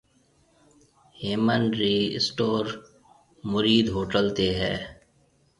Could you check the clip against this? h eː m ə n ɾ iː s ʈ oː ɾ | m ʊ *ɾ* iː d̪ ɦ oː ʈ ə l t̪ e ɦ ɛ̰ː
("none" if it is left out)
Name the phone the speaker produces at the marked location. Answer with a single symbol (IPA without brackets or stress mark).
ɾ